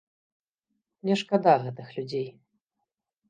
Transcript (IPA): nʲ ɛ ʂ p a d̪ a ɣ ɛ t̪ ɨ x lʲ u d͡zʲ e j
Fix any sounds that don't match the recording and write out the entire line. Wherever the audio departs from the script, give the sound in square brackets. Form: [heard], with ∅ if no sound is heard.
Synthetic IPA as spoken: nʲ ɛ ʂ [k] a d̪ a ɣ ɛ t̪ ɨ x lʲ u d͡zʲ e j